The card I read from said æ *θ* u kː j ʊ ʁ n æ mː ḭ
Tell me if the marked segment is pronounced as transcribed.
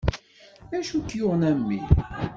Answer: no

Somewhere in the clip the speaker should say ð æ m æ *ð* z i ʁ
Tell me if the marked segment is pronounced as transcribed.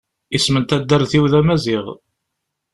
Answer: no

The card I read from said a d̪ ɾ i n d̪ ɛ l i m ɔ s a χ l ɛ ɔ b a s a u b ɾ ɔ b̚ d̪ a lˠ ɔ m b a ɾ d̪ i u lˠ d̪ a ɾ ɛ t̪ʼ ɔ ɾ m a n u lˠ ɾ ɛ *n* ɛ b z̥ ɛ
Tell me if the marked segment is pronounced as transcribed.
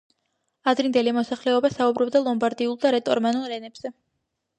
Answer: yes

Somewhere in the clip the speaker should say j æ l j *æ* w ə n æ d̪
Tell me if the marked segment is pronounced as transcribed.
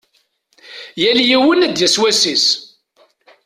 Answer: no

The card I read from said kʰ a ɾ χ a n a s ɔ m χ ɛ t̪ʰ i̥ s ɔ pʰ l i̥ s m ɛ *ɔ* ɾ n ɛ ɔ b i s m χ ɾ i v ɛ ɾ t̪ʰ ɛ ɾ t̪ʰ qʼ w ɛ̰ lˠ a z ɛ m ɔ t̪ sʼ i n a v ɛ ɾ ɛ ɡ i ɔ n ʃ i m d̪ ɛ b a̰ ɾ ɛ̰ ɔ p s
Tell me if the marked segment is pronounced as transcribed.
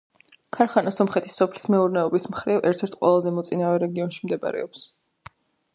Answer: no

